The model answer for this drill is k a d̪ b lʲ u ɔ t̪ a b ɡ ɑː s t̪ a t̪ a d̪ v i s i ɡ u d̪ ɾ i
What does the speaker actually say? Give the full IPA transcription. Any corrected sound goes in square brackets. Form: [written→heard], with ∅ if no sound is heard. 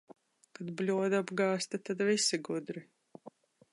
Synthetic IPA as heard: k a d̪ b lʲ u ɔ [t̪→d̪] a b ɡ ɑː s t̪ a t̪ a d̪ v i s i ɡ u d̪ ɾ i